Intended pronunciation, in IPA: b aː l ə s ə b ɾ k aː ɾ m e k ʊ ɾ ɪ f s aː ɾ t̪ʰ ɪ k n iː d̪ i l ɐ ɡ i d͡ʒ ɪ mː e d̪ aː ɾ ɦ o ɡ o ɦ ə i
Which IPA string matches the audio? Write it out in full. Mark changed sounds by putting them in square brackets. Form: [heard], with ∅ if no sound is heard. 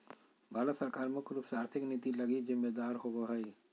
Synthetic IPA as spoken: b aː l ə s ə [∅] ɾ k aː ɾ m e k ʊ [l] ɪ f s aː ɾ t̪ʰ ɪ k n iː [t̪] i l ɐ ɡ i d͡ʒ ɪ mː e d̪ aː ɾ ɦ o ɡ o ɦ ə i